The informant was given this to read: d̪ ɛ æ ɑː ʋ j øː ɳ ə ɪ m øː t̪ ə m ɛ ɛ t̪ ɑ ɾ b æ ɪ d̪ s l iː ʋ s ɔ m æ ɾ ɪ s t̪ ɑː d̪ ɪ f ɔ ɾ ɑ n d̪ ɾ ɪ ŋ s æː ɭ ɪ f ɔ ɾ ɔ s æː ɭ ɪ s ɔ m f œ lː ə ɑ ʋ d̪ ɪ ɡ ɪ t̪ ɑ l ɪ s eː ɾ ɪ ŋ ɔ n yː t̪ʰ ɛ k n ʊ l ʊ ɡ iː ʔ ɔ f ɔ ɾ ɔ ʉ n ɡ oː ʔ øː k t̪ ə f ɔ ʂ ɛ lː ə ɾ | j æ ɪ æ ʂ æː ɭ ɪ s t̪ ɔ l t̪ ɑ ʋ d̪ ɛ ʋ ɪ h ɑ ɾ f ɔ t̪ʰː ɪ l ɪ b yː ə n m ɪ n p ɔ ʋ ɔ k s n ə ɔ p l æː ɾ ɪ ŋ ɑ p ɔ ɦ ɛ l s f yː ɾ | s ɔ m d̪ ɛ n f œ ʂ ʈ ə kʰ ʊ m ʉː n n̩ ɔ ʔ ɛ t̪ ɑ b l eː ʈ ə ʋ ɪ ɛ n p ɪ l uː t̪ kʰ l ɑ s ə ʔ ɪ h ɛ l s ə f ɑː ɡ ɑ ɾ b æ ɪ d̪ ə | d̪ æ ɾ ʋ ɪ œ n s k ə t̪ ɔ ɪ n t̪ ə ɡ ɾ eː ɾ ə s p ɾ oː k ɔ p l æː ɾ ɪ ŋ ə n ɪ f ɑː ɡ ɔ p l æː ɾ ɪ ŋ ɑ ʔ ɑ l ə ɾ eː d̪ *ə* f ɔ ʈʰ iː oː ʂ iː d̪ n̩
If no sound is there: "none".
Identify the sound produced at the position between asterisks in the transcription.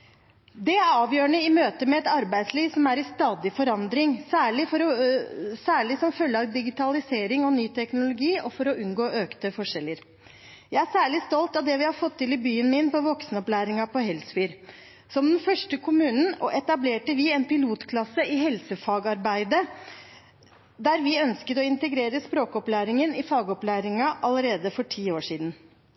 ə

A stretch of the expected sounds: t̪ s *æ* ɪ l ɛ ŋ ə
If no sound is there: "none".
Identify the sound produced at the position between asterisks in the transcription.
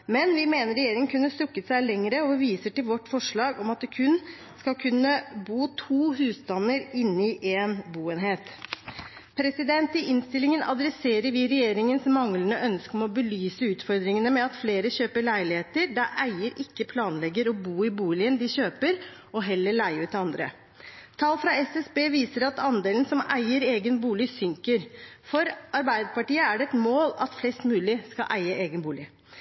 æ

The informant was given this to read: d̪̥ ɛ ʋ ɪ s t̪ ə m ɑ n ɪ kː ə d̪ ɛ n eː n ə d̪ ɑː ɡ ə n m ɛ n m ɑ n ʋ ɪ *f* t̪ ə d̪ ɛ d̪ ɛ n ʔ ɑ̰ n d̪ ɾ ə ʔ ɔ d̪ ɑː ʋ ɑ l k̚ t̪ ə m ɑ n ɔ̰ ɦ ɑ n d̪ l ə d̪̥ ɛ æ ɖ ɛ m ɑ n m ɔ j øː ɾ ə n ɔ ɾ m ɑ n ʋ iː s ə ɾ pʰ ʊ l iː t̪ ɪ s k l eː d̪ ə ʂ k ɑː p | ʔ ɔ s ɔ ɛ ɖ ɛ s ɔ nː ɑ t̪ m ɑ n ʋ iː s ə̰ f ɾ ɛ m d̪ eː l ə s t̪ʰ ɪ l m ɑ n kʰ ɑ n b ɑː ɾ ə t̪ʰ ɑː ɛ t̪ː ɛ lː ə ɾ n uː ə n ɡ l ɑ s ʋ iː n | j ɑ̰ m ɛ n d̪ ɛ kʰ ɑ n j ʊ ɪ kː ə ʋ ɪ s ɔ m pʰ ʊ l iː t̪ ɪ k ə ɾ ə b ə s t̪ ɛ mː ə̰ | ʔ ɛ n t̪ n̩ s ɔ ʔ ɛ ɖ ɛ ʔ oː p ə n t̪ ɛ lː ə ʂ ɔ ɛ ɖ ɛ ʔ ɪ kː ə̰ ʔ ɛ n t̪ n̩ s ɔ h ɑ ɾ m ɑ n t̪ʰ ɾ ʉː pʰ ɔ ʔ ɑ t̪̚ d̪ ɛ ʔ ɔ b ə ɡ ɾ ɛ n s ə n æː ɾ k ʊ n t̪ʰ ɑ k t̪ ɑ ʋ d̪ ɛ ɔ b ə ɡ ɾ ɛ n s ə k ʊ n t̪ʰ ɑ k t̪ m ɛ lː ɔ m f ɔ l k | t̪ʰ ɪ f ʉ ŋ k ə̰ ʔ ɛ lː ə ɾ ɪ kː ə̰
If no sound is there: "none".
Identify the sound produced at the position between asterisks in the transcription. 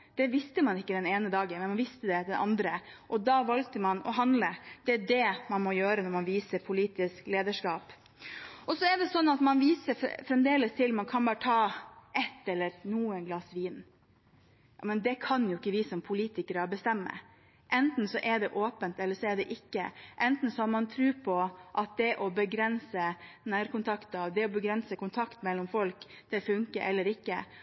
s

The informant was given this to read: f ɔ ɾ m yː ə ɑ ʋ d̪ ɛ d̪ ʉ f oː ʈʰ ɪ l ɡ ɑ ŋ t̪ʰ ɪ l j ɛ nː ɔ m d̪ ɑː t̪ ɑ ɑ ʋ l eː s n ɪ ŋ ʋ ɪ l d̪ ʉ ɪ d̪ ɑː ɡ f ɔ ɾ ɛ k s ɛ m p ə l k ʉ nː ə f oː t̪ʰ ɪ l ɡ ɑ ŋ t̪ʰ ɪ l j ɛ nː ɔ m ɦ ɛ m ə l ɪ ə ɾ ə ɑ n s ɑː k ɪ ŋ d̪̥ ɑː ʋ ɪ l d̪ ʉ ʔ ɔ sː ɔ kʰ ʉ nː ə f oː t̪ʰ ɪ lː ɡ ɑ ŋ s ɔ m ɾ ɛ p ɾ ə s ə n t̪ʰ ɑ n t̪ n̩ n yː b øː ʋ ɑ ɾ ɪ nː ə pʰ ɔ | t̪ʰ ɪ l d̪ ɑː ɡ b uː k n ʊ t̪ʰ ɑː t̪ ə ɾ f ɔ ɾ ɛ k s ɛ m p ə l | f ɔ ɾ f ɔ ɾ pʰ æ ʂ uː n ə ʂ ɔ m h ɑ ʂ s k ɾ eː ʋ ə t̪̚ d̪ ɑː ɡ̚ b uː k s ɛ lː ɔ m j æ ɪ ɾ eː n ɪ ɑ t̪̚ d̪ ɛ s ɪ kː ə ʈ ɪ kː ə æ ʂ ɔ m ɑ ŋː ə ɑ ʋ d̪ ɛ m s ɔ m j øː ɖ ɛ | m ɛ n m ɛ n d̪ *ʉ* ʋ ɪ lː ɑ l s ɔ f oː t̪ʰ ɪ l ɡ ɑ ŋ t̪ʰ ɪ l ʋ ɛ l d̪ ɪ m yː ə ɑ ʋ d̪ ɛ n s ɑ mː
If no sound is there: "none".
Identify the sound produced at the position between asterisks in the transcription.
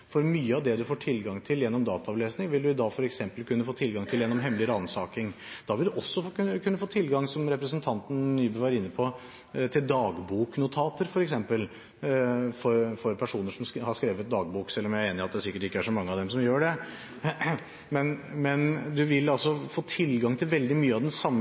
ʉ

